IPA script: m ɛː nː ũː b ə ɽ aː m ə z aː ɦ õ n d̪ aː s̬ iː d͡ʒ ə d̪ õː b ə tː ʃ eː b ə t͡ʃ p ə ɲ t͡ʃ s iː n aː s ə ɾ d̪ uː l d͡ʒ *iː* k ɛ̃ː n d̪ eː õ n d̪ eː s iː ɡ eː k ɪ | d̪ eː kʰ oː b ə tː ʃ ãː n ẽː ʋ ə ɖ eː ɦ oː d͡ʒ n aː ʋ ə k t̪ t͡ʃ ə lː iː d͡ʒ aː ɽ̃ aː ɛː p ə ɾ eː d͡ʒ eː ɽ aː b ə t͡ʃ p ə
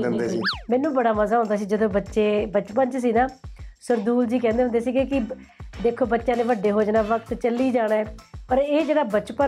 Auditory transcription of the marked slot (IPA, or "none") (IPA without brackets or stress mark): iː